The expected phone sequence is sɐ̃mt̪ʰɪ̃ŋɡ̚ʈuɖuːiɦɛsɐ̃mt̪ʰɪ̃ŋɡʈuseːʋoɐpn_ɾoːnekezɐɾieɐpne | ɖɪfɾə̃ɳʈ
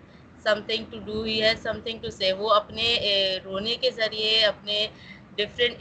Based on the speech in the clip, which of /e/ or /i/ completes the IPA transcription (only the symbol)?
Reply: e